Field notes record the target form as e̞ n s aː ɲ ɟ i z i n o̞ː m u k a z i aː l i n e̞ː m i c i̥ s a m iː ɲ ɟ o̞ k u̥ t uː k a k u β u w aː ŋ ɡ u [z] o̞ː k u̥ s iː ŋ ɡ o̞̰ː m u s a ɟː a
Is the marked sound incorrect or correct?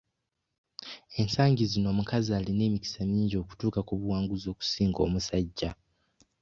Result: correct